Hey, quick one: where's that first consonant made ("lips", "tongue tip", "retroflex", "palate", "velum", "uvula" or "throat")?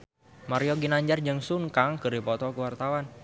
lips